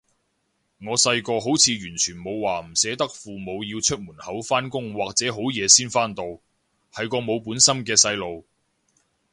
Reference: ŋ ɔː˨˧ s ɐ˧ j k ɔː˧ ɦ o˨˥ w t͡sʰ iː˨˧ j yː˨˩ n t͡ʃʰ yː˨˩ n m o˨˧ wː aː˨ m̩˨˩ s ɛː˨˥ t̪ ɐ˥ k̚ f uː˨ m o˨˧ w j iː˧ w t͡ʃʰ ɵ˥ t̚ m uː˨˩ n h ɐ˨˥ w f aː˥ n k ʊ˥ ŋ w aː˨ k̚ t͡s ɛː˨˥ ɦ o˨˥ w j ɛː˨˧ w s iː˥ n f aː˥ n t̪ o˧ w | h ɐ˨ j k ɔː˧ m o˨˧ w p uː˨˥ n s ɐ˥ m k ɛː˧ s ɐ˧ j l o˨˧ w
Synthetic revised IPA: ŋ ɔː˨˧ s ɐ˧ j k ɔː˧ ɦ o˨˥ w t͡sʰ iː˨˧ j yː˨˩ n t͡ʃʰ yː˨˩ n m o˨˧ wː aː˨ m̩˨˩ s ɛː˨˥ t̪ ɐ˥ k̚ f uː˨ m o˨˧ w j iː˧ w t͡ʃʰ ɵ˥ t̚ m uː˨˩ n h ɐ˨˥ w f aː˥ n k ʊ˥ ŋ w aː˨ k̚ t͡s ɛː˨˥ ɦ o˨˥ w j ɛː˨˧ s iː˥ n f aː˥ n t̪ o˧ w | h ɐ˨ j k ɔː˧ m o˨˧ w p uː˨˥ n s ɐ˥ m k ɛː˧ s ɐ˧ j l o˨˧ w